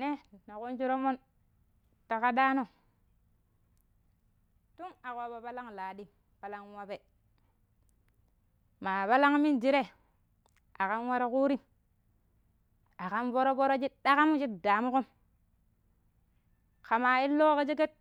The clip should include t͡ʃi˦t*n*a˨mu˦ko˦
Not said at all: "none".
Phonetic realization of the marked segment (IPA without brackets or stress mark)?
d